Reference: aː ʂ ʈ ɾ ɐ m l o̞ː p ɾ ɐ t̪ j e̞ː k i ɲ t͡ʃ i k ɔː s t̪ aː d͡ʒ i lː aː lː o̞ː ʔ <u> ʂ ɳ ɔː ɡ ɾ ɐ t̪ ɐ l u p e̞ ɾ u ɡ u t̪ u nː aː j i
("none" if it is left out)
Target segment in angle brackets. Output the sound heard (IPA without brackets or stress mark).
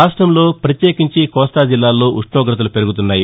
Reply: u